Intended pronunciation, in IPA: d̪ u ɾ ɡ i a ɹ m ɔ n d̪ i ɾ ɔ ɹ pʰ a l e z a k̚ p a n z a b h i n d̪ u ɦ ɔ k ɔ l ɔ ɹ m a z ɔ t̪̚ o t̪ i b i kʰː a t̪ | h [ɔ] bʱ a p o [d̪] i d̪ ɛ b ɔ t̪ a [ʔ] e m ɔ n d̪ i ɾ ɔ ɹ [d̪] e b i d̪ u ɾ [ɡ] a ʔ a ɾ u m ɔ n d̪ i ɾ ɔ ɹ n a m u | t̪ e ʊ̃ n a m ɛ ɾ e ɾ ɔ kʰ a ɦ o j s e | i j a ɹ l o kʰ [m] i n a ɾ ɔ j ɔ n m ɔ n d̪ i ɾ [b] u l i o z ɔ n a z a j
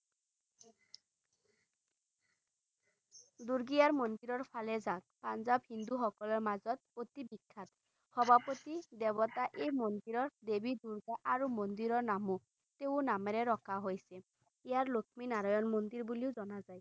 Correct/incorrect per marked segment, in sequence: correct, incorrect, correct, correct, correct, correct, correct

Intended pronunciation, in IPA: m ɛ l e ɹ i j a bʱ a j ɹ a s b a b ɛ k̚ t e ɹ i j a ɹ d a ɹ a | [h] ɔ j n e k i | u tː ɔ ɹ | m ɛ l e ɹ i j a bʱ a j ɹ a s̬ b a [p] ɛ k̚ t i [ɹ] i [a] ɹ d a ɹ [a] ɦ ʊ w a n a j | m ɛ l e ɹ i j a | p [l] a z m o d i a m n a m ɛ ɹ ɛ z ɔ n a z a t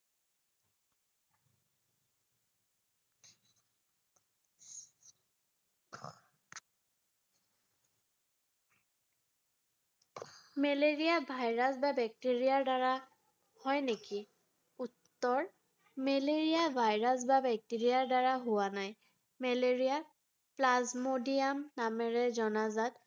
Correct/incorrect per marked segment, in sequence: correct, incorrect, correct, correct, correct, correct

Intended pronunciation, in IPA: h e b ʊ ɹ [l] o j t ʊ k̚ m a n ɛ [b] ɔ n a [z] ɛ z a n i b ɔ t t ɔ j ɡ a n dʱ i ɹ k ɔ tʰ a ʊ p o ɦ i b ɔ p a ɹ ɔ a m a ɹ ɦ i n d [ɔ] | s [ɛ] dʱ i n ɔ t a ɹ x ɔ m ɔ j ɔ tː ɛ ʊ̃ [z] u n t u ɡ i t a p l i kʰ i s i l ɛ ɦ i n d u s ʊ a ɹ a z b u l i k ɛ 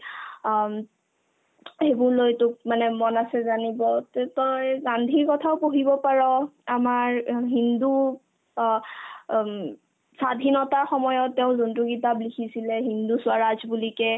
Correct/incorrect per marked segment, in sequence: correct, incorrect, incorrect, incorrect, incorrect, correct

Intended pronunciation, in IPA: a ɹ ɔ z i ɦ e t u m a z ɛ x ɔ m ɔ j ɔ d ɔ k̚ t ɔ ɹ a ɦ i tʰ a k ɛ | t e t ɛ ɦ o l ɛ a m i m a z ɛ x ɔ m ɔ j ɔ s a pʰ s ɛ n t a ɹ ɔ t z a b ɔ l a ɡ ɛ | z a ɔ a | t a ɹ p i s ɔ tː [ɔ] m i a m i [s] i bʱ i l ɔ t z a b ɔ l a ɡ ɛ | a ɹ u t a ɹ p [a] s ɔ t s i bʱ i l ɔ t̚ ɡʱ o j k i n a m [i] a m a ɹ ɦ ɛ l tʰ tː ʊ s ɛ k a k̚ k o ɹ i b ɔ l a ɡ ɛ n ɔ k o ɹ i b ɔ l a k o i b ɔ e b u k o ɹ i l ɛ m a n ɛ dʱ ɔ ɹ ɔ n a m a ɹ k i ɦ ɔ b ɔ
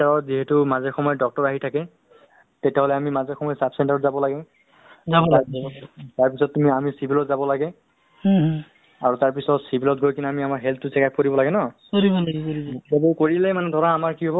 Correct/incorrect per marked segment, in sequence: incorrect, correct, incorrect, correct

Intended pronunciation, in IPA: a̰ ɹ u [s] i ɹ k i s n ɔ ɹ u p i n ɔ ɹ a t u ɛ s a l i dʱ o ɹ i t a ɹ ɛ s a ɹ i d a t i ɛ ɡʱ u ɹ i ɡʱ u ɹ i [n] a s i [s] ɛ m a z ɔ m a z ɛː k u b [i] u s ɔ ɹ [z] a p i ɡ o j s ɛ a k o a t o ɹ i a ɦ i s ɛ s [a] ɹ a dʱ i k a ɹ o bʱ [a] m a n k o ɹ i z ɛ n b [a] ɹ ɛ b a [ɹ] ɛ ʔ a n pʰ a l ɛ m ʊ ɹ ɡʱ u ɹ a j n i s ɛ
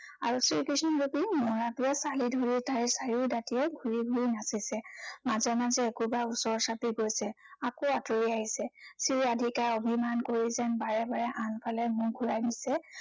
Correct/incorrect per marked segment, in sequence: correct, correct, correct, incorrect, incorrect, incorrect, incorrect, correct, correct

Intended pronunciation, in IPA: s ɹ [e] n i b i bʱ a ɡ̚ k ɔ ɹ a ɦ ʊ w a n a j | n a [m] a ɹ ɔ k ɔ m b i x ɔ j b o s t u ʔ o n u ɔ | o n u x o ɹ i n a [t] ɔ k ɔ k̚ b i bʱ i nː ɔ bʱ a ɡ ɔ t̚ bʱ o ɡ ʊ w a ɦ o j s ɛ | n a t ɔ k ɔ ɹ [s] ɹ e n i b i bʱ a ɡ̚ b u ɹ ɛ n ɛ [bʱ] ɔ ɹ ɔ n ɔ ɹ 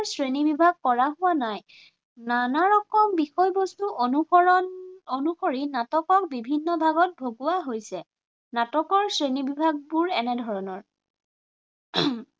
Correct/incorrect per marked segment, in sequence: correct, incorrect, correct, correct, incorrect

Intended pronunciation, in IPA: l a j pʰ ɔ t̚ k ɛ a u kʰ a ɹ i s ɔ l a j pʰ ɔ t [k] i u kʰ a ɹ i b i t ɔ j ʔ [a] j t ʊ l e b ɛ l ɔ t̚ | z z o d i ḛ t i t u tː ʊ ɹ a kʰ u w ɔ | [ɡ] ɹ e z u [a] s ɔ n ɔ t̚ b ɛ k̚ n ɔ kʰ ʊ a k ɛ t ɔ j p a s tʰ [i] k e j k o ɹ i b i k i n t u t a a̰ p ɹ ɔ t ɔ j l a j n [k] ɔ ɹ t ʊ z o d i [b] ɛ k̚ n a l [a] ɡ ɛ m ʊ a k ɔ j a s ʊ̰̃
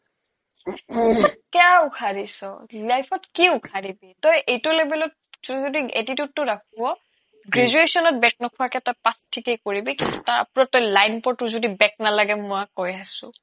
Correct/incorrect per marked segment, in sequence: correct, incorrect, correct, incorrect, correct, incorrect, correct, correct

